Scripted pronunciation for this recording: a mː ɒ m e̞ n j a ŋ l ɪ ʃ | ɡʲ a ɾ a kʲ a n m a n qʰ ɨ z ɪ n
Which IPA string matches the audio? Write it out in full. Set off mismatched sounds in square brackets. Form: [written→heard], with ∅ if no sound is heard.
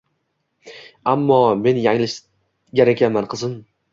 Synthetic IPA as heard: a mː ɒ m e̞ n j a ŋ l ɪ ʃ | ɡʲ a ɾ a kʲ a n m a n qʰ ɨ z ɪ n